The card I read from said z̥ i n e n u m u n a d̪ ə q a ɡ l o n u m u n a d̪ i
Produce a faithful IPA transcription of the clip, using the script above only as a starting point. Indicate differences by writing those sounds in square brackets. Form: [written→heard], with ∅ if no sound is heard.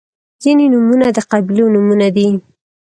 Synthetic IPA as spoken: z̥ i n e n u m u n a d̪ ə q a [ɡ→b] l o n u m u n a d̪ i